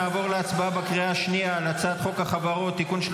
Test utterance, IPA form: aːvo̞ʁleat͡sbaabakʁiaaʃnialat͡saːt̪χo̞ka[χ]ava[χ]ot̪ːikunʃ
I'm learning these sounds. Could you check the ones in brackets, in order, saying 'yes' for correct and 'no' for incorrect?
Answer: yes, no

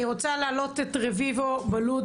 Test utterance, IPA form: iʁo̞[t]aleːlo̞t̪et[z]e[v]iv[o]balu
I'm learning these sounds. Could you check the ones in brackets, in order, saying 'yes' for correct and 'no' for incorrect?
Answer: no, no, yes, yes

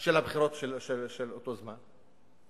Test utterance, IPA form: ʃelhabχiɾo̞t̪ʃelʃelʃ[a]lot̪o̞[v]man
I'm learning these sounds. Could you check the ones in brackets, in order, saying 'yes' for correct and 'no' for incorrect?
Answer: no, no

